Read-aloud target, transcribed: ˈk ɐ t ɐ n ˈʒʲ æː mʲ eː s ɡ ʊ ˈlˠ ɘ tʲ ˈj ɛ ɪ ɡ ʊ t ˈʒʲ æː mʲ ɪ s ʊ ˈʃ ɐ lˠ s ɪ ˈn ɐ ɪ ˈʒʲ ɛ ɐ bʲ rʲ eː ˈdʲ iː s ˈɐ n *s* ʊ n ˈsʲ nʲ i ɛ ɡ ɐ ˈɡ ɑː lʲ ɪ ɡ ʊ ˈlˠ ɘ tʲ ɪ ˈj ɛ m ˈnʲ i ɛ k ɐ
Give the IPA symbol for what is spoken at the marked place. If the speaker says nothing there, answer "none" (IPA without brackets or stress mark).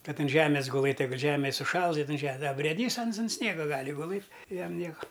s